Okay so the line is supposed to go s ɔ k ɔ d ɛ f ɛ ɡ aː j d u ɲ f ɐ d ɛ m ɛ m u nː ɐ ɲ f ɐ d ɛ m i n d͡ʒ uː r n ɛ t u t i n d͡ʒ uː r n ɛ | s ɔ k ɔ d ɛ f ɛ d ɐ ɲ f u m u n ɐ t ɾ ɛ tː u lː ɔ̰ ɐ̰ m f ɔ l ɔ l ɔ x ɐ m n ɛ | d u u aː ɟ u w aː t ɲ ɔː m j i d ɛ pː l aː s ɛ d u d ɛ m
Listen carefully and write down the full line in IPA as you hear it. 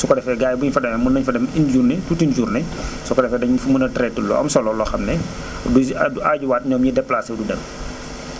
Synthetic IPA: s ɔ k ɔ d ɛ f ɛ ɡ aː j b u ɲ f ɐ d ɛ m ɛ m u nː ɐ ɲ f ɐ d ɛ m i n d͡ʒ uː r n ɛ t u t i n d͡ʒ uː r n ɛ | s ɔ k ɔ d ɛ f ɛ d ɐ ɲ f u m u n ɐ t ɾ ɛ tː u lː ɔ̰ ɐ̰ m s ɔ l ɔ l ɔ x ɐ m n ɛ | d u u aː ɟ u w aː t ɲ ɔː m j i d ɛ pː l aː s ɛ d u d ɛ m

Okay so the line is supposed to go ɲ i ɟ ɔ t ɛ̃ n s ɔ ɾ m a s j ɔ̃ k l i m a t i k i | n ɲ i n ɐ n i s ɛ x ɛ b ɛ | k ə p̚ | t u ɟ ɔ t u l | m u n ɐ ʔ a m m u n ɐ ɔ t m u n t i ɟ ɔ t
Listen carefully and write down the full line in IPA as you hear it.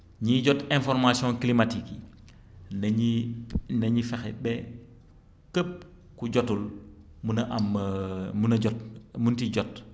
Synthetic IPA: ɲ i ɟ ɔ t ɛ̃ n f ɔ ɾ m a s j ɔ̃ k l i m a t i k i | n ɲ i n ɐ ɲ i f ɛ x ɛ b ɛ | k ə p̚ | k u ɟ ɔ t u l | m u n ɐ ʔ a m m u n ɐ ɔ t m u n t i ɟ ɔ t

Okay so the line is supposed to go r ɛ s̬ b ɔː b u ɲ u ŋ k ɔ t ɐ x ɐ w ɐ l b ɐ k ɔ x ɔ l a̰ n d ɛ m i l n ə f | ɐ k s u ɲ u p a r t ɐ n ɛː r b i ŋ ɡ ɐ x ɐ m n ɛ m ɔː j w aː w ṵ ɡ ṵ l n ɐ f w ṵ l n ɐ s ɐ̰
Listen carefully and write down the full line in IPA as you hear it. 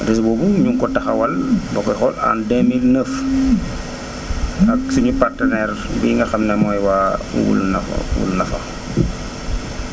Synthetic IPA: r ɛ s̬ b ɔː b u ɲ u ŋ k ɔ t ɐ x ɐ w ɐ l b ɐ k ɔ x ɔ l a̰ n d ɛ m i l n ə f | ɐ k s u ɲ u p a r t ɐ n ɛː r b i ŋ ɡ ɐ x ɐ m n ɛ m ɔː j w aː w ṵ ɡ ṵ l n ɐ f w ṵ l n ɐ f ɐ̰

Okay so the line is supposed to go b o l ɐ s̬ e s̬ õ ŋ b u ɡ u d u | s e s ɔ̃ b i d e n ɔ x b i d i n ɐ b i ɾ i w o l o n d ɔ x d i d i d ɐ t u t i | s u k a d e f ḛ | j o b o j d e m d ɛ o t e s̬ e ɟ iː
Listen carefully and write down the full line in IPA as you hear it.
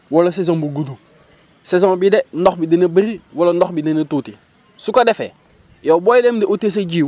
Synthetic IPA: w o l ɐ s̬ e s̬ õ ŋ b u ɡ u d u | s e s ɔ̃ b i d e n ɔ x b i d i n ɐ b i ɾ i w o l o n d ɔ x b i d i n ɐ t u t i | s u k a d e f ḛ | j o b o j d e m d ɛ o t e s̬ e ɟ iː

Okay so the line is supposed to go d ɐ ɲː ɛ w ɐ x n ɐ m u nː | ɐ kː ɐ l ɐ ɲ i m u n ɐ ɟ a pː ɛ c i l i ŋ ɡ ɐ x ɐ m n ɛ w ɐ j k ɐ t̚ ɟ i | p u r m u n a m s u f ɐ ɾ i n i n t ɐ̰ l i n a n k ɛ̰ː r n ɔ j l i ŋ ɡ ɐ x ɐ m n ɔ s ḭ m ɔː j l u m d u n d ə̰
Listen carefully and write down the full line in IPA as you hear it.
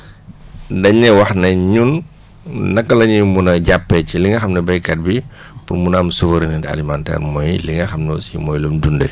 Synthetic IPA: d ɐ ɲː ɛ w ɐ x n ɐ ɲ u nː | ɐ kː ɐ l ɐ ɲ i m u n ɐ ɟ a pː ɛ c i l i ŋ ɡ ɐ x ɐ m n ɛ b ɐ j k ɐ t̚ b i | p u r m u n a m s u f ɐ ɾ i n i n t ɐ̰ l i m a n t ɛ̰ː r m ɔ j l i ŋ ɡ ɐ x ɐ m n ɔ s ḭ m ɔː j l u m d u n d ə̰

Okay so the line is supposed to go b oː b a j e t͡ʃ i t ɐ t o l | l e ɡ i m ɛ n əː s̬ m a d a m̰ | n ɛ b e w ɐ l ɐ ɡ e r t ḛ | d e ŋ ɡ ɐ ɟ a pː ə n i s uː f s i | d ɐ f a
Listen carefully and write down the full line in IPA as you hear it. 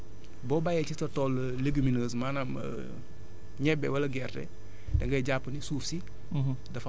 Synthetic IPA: b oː b a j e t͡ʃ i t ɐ t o l | l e ɡ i m i n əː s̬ m a n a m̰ | ɲ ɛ b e w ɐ l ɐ ɡ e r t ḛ | d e ŋ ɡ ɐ ɟ a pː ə n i s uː f s i | d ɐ f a

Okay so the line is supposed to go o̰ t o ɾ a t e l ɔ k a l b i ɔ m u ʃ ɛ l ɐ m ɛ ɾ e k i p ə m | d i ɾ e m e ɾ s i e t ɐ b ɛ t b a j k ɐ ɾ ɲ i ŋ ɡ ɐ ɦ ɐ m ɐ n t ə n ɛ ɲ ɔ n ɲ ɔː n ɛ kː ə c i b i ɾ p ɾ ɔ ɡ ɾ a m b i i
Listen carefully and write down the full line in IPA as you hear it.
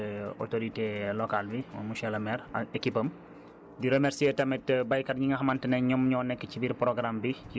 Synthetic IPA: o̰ t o ɾ i t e l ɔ k a l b i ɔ m u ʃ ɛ l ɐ m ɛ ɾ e k i p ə m | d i ɾ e m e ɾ s i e t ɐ m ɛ t b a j k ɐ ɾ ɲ i ŋ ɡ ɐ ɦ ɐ m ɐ n t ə n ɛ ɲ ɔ m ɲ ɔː n ɛ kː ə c i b i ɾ p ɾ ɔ ɡ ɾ a m b i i

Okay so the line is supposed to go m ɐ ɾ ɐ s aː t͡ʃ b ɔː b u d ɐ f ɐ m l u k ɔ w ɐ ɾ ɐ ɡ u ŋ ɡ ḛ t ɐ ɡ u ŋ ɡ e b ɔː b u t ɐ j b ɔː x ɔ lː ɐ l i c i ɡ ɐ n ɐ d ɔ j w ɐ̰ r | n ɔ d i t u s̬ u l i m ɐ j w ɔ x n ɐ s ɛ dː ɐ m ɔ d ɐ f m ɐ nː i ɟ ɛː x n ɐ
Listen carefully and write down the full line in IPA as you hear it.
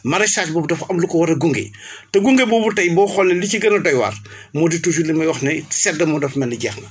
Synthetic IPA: m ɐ ɾ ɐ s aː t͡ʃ b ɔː b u d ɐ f ɐ m l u k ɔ w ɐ ɾ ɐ ɡ u ŋ ɡ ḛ t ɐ ɡ u ŋ ɡ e b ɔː b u t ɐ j b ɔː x ɔ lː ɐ l i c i ɡ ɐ n ɐ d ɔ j w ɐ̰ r | m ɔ d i t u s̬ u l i m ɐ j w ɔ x n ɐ s ɛ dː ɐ m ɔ d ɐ f m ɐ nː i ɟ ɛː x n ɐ

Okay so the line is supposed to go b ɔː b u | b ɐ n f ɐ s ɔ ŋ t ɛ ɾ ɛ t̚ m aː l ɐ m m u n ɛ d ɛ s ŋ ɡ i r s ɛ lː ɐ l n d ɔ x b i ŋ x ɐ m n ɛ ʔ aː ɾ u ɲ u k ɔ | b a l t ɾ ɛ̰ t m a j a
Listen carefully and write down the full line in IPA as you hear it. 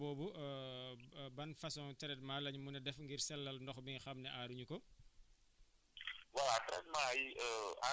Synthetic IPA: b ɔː b u | b ɐ n f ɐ s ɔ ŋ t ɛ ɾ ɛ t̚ m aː l ɐ ɲ m u n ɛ d ɛ f ŋ ɡ i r s ɛ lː ɐ l n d ɔ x b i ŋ x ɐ m n ɛ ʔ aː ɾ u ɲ u k ɔ | w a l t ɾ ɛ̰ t m a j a

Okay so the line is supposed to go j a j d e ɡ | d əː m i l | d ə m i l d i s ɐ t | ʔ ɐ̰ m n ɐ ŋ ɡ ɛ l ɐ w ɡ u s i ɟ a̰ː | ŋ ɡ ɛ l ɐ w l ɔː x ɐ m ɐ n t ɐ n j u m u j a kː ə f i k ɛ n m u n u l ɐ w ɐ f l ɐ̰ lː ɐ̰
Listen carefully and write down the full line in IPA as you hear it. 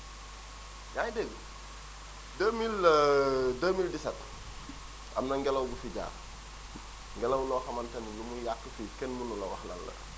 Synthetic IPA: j a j d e ɡ | d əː m i l | d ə m i l d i s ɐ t | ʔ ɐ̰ m n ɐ ŋ ɡ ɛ l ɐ w ɡ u f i ɟ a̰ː | ŋ ɡ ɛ l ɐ w l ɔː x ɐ m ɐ n t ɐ n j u m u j a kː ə f i k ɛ n m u n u l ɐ w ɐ x l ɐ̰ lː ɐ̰

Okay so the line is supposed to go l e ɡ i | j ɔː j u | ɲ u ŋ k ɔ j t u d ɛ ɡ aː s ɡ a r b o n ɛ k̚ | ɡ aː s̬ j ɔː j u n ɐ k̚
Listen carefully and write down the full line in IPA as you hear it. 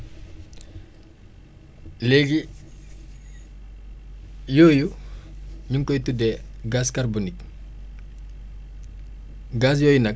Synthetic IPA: l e ɡ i | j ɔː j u | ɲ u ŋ k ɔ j t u d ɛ ɡ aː s k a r b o n i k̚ | ɡ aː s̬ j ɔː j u n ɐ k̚

